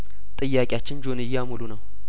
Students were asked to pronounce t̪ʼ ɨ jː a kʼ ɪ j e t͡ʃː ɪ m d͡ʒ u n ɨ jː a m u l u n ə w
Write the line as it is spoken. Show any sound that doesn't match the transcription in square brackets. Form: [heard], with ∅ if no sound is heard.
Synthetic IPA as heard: t̪ʼ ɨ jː a kʼ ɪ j [a] t͡ʃː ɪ [n] d͡ʒ [o] n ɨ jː a m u l u n ə w